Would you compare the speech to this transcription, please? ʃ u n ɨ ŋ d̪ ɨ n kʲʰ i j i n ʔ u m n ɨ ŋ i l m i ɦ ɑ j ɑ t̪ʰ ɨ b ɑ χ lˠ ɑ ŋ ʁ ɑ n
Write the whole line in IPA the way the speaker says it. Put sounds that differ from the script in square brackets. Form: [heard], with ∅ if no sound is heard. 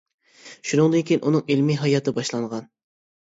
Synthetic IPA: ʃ u n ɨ ŋ d̪ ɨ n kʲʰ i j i n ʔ u [∅] n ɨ ŋ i l m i ɦ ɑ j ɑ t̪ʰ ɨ b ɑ [ʃ] lˠ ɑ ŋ ʁ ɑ n